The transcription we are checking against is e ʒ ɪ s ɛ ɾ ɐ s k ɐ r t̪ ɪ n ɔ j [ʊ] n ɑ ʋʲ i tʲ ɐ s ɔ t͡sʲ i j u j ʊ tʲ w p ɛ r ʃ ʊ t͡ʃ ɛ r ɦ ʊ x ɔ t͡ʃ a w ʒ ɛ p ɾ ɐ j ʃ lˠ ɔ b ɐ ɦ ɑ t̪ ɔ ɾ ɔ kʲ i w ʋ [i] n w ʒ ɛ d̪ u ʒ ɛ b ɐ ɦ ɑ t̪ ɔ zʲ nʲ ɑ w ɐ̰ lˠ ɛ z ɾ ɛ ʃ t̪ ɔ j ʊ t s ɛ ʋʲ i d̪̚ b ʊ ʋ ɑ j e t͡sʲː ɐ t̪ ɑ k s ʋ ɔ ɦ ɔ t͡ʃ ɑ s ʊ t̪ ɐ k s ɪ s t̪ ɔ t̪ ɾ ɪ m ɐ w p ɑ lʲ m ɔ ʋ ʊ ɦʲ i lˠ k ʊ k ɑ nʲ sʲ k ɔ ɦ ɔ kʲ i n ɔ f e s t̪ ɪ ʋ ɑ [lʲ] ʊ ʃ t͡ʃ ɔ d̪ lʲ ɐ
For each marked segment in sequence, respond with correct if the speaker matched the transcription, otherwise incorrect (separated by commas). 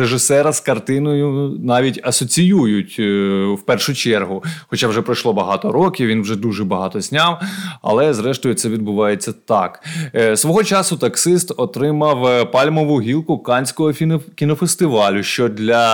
correct, correct, correct